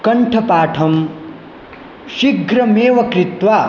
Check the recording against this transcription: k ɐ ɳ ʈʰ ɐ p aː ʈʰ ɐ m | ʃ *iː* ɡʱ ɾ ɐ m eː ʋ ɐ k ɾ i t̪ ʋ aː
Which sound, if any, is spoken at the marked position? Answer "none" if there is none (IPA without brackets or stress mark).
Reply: i